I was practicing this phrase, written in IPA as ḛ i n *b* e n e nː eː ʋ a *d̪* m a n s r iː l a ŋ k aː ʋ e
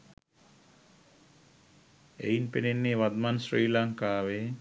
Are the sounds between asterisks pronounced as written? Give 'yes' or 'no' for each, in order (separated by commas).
no, yes